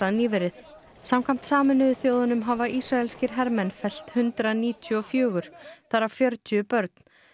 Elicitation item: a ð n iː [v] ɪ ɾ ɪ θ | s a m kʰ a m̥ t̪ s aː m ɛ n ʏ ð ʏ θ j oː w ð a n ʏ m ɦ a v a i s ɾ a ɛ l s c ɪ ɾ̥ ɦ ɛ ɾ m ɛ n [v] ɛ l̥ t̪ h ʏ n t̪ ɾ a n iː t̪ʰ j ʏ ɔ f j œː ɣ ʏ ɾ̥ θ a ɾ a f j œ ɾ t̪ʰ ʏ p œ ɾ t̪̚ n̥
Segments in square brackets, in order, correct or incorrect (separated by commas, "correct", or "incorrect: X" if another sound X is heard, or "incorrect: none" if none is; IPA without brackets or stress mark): correct, incorrect: f